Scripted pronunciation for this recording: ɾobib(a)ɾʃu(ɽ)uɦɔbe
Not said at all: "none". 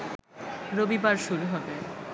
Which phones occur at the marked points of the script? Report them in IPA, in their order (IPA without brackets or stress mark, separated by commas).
a, ɾ